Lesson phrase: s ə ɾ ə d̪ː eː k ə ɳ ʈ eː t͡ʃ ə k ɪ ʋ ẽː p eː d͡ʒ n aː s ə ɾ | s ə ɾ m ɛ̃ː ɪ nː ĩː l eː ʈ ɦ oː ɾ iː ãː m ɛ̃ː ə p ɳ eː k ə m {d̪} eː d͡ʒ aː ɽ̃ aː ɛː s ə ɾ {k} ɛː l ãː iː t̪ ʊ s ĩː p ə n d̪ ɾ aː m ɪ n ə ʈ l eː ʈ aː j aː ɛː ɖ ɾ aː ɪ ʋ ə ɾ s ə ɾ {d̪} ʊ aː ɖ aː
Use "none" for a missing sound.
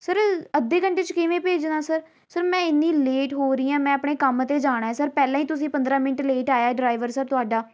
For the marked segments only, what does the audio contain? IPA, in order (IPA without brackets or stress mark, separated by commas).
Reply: t̪, p, t̪